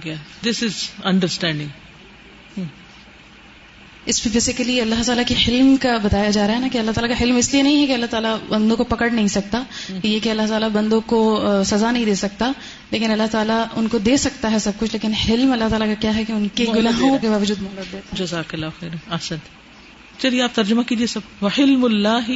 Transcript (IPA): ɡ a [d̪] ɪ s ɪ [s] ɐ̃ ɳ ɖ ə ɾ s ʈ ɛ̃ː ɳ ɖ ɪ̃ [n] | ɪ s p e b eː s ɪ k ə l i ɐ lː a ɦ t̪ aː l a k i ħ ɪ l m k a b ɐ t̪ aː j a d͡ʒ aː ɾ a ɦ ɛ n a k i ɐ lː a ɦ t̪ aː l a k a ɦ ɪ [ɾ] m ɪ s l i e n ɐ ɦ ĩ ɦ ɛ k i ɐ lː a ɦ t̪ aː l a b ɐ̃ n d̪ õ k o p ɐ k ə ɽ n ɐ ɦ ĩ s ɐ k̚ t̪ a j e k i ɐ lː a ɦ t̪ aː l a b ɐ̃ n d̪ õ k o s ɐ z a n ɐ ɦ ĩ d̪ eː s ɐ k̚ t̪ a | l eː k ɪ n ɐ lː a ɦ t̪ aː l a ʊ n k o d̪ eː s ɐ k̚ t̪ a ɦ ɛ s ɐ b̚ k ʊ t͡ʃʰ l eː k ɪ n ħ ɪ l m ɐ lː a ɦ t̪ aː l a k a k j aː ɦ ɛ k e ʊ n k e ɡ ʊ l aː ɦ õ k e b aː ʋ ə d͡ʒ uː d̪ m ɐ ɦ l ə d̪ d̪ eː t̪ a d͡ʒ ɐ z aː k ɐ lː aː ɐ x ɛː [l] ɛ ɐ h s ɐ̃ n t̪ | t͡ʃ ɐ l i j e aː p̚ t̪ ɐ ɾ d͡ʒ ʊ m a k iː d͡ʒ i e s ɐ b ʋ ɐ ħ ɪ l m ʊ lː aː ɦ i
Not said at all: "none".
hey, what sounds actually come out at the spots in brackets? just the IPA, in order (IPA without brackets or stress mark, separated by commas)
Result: d̪, z, ŋ, l, ɾ